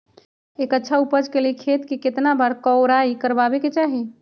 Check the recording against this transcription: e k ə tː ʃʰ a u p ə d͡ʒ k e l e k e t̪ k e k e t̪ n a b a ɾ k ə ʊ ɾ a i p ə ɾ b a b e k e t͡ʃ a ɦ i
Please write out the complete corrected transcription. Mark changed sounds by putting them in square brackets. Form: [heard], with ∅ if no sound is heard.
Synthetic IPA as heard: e k ə tː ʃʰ a u p ə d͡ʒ k e l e [kʰ] e t̪ k e k e t̪ n a b a ɾ k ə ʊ ɾ a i [k] ə ɾ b a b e k e t͡ʃ a ɦ i